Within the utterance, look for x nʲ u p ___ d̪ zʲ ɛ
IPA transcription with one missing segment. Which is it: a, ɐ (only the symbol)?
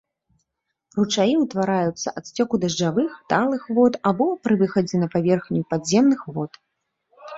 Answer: a